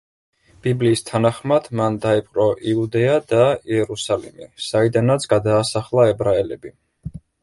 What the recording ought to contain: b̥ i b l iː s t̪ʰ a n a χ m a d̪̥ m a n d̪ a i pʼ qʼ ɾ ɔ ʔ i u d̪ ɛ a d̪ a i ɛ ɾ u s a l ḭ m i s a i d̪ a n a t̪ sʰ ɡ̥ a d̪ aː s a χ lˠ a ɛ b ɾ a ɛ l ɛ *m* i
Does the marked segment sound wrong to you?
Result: yes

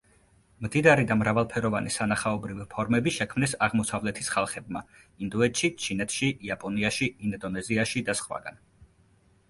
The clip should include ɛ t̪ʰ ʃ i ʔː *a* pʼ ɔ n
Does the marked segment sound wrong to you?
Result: no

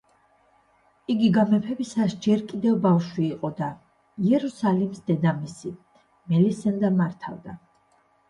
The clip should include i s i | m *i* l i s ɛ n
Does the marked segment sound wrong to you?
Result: yes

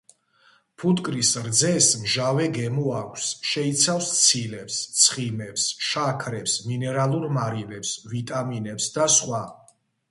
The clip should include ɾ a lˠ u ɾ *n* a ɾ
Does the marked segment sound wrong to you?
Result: yes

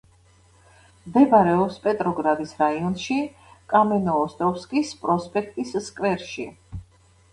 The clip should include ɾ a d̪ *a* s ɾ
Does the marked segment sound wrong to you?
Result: yes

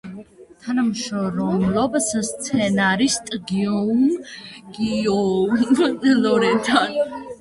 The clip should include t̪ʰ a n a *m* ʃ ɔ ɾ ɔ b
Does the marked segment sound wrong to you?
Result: no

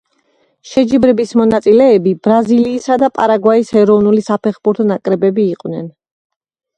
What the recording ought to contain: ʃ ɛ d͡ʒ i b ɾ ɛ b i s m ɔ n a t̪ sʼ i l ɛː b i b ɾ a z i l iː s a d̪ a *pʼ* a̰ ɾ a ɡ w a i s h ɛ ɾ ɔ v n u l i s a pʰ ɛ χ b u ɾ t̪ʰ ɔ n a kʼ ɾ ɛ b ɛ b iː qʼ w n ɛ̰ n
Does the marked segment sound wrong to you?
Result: no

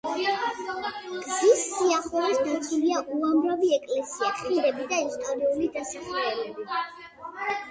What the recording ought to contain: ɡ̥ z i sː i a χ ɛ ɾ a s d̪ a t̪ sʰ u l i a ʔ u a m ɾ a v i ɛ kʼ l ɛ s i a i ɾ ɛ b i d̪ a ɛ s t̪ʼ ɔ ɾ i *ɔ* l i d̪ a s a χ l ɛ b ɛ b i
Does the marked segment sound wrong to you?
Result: yes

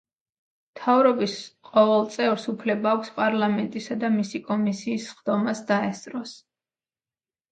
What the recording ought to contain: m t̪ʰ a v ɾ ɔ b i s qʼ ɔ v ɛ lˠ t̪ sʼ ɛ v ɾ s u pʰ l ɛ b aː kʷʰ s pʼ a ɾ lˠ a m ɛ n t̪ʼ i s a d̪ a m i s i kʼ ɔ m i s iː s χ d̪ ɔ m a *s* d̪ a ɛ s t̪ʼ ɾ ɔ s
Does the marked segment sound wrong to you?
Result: no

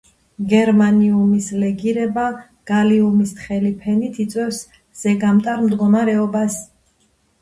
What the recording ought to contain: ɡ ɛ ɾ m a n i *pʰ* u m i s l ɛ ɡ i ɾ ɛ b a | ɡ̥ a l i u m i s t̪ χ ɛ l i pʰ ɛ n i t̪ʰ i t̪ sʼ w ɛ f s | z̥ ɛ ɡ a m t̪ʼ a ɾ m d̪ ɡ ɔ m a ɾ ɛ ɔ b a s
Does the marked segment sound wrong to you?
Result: yes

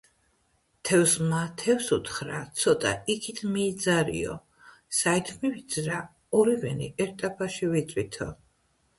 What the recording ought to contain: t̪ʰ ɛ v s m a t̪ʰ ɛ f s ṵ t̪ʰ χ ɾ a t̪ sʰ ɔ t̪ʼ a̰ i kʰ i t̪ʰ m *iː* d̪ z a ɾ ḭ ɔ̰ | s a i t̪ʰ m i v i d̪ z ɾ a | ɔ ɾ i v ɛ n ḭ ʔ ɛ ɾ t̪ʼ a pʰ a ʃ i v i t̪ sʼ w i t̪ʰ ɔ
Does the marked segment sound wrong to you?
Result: no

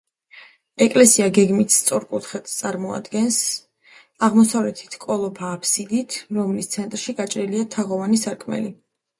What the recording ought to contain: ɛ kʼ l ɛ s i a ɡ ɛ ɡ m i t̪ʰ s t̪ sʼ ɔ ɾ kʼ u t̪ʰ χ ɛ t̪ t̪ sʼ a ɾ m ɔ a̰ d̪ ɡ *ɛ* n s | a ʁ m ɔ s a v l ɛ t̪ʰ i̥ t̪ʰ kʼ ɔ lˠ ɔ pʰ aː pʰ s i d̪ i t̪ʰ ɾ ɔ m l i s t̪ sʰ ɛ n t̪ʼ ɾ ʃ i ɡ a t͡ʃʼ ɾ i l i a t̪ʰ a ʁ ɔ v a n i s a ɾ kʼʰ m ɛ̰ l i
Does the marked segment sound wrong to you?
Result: no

